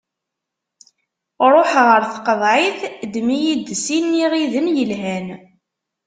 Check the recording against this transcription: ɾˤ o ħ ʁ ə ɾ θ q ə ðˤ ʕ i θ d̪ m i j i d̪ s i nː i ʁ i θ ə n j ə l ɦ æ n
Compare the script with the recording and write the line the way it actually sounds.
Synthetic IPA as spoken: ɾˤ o ħ ʁ ə ɾ θ q ə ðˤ ʕ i θ d̪ m i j i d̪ s i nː i ʁ i ð ə n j ə l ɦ æ n